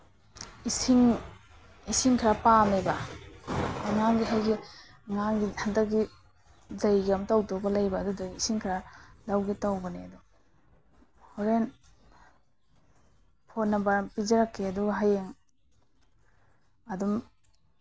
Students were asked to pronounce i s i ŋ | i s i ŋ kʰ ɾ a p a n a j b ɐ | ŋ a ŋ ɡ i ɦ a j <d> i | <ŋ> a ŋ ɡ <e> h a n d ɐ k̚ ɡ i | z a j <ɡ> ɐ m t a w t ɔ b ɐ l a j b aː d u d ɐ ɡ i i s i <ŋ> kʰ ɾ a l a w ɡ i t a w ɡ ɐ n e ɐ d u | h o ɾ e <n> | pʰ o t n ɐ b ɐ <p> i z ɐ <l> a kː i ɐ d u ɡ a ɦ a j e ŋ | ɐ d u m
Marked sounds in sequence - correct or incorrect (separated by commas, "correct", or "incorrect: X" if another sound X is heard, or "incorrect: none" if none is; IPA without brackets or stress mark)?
incorrect: ɡ, correct, incorrect: i, correct, correct, correct, correct, incorrect: ɾ